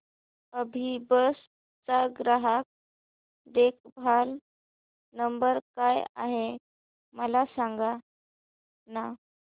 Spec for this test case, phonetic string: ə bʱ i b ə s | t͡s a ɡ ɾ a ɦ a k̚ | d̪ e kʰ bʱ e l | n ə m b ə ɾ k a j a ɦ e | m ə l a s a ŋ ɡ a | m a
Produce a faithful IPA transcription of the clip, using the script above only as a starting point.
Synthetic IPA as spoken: ə bʱ i b ə s | t͡s a ɡ ɾ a ɦ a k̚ | d̪ e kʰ bʱ a l | n ə m b ə ɾ k a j a ɦ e | m ə l a s a ŋ ɡ a | n a